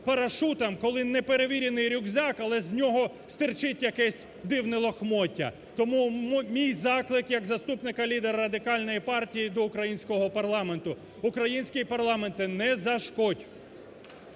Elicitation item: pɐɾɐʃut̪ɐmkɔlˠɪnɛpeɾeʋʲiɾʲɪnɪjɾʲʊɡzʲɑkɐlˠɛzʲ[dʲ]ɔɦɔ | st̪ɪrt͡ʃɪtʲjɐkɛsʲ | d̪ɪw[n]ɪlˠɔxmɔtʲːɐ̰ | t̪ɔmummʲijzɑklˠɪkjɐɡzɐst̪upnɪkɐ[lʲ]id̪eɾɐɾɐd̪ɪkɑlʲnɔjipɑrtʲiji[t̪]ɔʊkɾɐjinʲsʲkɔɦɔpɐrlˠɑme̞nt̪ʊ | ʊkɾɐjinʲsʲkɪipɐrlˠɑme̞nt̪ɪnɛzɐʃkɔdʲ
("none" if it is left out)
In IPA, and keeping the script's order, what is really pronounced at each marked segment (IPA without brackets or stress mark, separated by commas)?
nʲ, n, lʲ, d̪